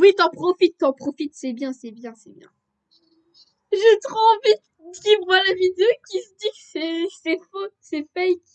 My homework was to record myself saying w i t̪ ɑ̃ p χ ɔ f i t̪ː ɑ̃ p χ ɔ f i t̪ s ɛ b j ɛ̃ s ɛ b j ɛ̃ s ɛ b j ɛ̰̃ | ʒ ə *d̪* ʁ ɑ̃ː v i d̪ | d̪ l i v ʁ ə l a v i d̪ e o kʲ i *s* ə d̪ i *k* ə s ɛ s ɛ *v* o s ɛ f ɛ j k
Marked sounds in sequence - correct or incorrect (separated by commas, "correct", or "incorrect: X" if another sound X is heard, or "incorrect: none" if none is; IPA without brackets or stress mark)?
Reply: incorrect: t̪, correct, correct, incorrect: f